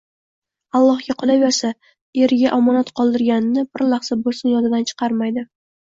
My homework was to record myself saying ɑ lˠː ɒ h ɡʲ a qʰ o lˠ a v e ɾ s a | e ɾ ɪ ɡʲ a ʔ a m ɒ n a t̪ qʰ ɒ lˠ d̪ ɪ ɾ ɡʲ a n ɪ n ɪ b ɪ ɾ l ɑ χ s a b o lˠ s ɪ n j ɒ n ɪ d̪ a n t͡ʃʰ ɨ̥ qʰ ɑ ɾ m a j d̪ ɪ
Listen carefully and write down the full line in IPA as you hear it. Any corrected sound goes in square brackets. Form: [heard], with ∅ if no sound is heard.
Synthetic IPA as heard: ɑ lˠː ɒ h ɡʲ a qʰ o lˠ a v e ɾ s a | e ɾ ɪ ɡʲ a ʔ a m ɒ n a t̪ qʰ ɒ lˠ d̪ ɪ ɾ ɡʲ a n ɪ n ɪ b ɪ ɾ l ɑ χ s a b o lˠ s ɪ n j ɒ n ɪ d̪ a n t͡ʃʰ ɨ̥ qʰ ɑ ɾ m a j d̪ ɪ